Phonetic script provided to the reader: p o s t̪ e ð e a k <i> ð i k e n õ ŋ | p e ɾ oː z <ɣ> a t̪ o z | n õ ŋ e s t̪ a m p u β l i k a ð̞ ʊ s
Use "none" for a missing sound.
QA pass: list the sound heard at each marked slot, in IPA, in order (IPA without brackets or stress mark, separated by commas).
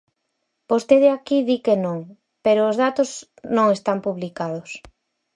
i, ð